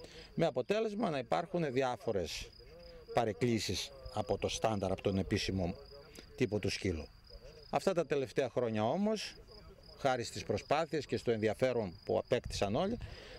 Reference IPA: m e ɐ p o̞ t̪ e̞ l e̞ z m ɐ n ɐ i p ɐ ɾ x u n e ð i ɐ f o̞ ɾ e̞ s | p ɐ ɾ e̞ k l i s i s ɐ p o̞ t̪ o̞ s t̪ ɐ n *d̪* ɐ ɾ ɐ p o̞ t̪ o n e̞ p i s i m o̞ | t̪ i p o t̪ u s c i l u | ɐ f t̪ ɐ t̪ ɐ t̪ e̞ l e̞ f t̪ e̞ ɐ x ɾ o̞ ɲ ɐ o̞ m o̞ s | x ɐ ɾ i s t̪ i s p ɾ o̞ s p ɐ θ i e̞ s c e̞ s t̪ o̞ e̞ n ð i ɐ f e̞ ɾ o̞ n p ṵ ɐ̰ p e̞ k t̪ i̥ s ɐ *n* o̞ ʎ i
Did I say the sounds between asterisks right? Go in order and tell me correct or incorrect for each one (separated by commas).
correct, correct